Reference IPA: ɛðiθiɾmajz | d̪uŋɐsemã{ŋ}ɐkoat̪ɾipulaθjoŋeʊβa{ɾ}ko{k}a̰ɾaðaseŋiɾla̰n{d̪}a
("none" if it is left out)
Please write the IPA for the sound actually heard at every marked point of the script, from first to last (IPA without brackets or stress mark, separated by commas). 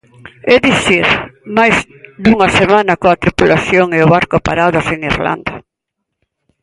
n, ɾ, p, d̪